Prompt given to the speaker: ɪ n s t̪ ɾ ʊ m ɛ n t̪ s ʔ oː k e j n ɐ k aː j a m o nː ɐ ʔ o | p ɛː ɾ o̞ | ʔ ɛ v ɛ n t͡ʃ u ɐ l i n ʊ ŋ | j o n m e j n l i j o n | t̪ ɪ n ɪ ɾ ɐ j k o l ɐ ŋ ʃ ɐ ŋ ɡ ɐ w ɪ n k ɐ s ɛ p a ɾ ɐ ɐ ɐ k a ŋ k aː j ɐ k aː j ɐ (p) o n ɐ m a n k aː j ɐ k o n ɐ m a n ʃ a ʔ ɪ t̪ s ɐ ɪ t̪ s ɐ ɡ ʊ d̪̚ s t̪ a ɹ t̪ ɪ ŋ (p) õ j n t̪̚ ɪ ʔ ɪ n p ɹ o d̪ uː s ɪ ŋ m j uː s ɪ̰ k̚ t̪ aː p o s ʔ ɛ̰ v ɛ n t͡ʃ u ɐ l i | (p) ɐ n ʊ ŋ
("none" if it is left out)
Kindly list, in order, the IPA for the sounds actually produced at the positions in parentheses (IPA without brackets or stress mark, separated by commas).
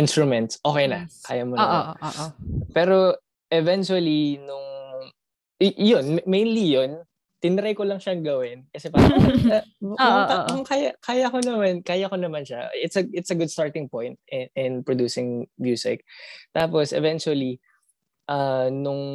k, p, ʔ